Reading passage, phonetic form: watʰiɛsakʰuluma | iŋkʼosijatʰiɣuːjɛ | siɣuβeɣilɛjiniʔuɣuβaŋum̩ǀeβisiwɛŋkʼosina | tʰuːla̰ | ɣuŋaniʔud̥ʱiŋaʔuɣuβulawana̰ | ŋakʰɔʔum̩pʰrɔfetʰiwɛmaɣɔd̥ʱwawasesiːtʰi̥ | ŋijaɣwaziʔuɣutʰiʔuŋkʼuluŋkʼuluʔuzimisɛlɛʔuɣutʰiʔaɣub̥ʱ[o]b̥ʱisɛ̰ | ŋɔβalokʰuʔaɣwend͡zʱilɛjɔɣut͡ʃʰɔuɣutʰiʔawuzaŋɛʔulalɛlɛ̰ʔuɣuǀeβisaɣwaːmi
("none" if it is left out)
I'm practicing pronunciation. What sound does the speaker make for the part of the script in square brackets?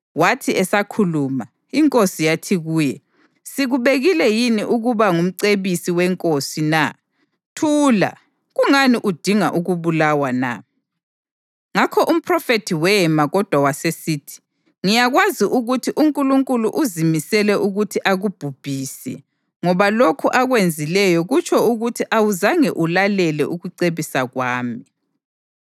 u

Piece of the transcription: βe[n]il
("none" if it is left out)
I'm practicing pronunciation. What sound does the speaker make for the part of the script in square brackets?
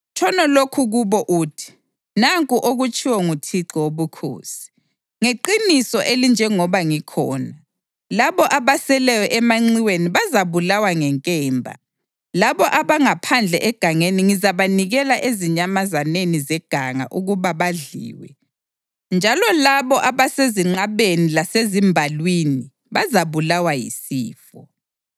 n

